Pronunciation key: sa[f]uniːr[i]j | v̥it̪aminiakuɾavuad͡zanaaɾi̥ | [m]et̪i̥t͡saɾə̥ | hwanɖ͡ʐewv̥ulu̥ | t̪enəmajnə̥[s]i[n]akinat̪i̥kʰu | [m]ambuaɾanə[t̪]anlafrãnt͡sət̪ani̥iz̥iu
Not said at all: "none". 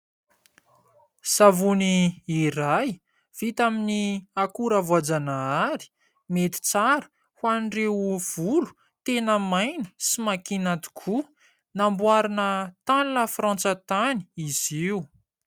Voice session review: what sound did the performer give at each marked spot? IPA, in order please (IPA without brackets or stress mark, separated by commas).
v, a, m, s, m, n, t̪